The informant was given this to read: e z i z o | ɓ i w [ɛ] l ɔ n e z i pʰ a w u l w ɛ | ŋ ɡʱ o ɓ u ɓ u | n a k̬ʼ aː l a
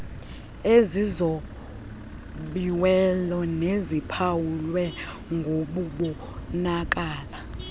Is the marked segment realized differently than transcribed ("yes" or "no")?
no